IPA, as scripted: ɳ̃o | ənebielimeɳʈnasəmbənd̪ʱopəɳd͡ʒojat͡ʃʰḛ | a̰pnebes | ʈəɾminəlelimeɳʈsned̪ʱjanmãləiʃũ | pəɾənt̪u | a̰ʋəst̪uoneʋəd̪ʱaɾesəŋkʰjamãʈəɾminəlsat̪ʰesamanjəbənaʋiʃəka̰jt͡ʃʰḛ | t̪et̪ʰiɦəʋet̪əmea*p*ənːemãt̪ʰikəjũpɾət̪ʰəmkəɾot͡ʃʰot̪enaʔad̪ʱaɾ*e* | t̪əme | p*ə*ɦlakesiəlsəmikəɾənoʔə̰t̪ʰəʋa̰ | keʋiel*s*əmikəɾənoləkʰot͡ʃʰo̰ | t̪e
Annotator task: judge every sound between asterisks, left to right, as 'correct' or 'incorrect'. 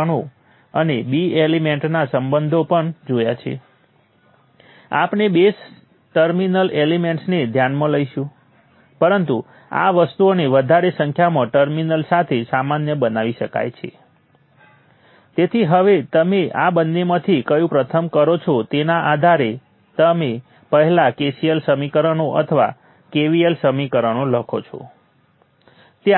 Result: incorrect, correct, correct, correct

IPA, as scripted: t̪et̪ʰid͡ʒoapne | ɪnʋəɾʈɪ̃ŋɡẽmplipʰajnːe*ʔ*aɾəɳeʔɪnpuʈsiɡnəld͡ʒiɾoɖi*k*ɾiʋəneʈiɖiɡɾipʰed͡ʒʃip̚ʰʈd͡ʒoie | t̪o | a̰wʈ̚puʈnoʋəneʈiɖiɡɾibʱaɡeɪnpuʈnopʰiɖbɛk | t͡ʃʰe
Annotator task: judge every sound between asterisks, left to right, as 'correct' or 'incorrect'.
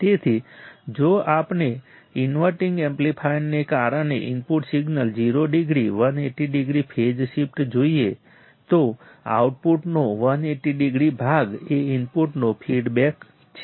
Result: incorrect, incorrect

